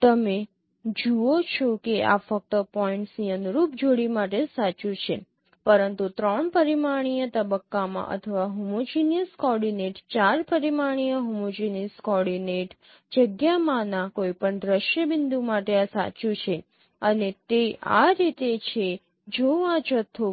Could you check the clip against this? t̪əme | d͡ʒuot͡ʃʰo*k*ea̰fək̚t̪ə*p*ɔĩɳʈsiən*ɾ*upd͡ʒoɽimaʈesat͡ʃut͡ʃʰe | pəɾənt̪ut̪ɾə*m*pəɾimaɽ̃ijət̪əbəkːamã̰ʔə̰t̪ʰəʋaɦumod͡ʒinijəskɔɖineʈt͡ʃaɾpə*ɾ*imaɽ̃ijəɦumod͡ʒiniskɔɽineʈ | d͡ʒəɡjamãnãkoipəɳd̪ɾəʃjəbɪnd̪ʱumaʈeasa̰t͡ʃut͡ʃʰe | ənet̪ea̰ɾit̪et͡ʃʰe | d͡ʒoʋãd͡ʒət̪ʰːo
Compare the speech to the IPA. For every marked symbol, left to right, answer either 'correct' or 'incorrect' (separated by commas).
correct, correct, correct, incorrect, correct